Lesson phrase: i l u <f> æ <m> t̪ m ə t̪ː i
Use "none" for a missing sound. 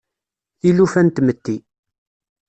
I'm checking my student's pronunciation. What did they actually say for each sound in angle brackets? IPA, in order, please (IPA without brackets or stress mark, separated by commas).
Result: f, n